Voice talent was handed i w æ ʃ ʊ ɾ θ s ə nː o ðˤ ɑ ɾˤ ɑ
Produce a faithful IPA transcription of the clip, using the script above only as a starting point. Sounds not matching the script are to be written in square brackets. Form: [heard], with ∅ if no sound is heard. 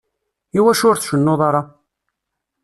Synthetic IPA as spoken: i w æ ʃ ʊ ɾ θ [ʃ] ə nː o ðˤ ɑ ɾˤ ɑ

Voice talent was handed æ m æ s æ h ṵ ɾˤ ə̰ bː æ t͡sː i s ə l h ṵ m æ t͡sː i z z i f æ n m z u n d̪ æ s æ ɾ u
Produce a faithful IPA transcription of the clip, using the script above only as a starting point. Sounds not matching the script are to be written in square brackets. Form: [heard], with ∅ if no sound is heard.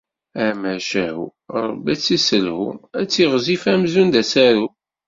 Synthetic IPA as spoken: æ m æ [ʃ] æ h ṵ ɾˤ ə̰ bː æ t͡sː i s ə l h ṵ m æ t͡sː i [ʁ] z i f æ [∅] m z u n d̪ æ s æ ɾ u

